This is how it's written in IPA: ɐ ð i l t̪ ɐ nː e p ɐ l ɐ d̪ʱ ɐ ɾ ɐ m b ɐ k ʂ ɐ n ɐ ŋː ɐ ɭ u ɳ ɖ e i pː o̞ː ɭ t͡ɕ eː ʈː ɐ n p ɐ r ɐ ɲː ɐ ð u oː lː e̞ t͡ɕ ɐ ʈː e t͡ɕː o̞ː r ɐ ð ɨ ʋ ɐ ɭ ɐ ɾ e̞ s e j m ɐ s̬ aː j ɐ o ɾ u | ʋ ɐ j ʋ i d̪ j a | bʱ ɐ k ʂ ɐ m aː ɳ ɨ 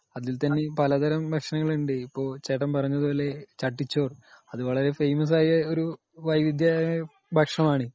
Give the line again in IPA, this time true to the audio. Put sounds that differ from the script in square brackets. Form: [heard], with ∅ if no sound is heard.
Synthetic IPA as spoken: ɐ ð i l t̪ ɐ nː e p ɐ l ɐ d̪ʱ ɐ ɾ ɐ m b ɐ k ʂ ɐ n ɐ ŋː ɐ ɭ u ɳ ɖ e i pː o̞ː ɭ t͡ɕ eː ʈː ɐ [m] p ɐ r ɐ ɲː ɐ ð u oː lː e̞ t͡ɕ ɐ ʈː [i] t͡ɕː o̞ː r ɐ ð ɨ ʋ ɐ ɭ ɐ ɾ e̞ [f] e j m ɐ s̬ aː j ɐ o ɾ u | ʋ ɐ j ʋ i d̪ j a | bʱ ɐ k ʂ ɐ m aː ɳ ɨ